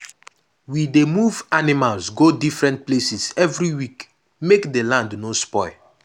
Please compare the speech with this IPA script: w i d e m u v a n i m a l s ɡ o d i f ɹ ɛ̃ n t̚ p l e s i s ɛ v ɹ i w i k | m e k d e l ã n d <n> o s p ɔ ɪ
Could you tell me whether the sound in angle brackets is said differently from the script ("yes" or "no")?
no